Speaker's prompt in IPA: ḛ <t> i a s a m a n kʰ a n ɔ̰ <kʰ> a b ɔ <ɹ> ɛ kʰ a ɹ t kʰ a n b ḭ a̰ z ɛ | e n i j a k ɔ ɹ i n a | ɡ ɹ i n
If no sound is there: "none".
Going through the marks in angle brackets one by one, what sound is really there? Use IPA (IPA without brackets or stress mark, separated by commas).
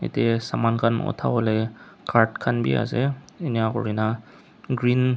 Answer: t, tʰ, l